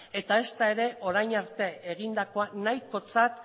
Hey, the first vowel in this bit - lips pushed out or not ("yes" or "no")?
no